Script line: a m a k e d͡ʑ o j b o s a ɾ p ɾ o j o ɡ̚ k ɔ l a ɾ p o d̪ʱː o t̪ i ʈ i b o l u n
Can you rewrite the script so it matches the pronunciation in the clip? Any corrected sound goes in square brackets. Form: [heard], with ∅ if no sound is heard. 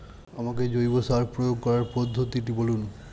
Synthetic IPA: a m a k e d͡ʑ o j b o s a ɾ p ɾ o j o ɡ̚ k ɔ [ɾ] a ɾ p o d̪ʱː o t̪ i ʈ i b o l u n